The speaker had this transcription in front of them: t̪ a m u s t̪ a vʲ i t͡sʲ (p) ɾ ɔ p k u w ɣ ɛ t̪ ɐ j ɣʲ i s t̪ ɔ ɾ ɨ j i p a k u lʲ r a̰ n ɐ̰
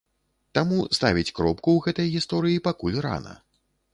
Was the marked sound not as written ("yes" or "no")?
yes